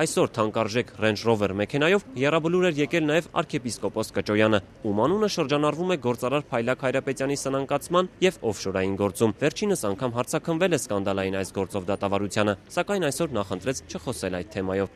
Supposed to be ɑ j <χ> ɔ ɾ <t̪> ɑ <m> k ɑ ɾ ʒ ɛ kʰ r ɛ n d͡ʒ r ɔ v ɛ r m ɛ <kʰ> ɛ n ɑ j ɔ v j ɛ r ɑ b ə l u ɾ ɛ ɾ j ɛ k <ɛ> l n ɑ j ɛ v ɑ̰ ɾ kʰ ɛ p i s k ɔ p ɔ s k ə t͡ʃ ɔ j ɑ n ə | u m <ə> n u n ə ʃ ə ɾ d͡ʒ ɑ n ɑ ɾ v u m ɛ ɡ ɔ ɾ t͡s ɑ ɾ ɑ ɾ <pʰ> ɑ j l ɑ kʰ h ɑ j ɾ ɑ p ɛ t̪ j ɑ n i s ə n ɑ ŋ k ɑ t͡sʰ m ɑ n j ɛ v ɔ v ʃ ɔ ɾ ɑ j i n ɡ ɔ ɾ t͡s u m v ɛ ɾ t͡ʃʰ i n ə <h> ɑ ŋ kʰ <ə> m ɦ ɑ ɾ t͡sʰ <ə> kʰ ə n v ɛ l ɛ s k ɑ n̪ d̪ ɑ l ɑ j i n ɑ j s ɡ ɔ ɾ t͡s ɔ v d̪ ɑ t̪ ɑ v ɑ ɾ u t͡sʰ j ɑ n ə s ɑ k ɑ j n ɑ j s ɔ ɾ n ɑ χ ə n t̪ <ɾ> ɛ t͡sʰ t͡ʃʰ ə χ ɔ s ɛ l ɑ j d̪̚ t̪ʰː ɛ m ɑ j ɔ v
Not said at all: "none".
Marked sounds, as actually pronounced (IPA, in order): s, t̪ʰ, ŋ, kʰ, ɛ, ɑ, pʰ, s, ɑ, ɑ, ɾ

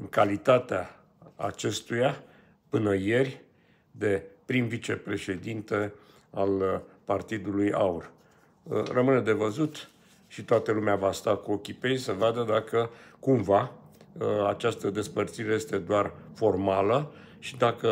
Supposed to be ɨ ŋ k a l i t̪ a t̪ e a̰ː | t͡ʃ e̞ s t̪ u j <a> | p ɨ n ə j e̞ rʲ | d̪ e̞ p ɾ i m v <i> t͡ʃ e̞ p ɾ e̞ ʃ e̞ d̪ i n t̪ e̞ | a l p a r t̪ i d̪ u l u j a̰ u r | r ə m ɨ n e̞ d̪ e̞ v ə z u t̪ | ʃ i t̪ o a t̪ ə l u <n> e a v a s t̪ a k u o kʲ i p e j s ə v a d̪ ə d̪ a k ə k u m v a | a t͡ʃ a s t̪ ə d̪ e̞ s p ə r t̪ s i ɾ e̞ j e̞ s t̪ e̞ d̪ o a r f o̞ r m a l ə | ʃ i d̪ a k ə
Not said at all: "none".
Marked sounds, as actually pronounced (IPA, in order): a, i, m

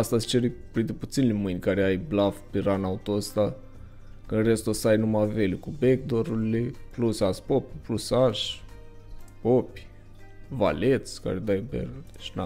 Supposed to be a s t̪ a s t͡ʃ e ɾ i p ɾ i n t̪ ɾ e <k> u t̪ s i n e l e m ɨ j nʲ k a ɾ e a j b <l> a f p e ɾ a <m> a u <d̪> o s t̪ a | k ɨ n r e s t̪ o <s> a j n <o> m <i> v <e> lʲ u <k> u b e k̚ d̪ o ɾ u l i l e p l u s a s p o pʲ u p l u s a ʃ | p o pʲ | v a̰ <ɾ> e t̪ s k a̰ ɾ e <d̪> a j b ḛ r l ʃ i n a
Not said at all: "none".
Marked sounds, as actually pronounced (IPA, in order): p, l, n, t̪, s, u, a, e, k, l, d̪

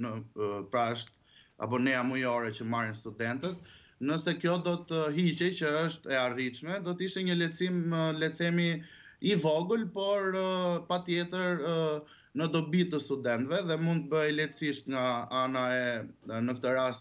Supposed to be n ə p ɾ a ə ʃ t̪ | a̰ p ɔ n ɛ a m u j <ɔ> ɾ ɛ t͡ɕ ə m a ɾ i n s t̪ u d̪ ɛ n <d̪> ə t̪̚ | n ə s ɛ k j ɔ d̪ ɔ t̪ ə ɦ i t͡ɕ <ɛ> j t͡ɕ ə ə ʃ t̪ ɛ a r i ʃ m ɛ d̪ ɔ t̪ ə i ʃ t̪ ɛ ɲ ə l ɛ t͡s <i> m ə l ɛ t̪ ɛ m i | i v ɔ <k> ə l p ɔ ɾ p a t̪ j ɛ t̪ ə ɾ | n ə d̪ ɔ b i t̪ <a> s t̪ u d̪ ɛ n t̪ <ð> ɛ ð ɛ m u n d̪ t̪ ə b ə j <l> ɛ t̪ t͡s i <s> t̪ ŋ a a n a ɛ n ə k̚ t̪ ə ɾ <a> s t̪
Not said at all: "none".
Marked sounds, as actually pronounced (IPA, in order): ɔ, t̪, ɛ, i, ɡ, ə, v, l, ʃ, a

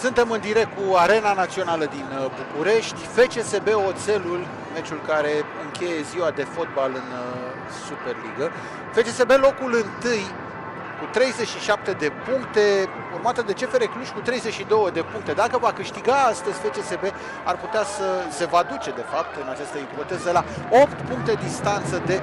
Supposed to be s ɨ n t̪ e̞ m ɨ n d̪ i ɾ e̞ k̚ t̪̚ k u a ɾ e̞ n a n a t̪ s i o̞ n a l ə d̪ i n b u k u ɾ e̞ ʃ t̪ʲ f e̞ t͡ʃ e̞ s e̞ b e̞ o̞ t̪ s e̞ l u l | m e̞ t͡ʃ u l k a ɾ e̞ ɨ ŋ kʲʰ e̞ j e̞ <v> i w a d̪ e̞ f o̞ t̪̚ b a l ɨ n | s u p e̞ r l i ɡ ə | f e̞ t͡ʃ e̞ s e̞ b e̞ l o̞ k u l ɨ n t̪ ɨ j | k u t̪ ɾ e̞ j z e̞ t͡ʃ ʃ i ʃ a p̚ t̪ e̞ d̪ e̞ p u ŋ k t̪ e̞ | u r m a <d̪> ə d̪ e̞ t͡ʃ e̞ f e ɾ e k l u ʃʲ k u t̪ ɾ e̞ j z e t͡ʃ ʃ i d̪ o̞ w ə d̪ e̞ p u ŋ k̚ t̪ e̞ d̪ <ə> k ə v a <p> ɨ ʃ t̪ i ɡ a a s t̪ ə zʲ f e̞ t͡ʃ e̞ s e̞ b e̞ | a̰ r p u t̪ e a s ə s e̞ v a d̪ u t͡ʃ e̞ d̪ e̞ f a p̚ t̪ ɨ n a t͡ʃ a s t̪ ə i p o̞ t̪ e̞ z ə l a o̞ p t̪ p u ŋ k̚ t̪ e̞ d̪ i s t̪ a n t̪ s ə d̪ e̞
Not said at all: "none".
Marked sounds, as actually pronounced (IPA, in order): z, t̪, a, k

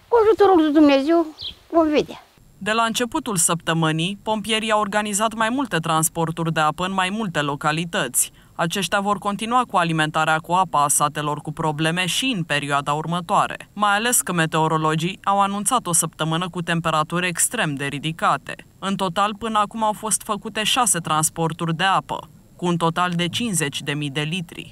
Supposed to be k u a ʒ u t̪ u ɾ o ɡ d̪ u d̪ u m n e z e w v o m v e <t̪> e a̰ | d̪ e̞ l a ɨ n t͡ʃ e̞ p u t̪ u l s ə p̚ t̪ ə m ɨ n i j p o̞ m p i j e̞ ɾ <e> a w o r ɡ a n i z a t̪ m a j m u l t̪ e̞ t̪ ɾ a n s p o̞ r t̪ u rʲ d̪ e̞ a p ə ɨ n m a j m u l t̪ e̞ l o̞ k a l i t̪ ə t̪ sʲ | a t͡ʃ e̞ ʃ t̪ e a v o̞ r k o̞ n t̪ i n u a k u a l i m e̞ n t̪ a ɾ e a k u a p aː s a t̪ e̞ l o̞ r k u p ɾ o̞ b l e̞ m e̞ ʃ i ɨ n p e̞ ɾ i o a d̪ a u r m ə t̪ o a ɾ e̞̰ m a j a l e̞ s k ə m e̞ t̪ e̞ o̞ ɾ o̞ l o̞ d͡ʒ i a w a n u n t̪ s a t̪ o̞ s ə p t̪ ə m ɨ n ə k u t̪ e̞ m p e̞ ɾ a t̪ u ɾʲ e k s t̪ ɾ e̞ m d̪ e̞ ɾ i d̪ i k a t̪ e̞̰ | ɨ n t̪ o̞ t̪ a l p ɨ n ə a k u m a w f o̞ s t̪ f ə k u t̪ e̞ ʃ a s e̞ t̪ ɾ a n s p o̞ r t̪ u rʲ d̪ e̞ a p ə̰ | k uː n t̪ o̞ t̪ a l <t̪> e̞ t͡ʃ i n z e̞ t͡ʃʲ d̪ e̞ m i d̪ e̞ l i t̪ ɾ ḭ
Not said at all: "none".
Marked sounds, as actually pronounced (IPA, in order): d̪, i, d̪

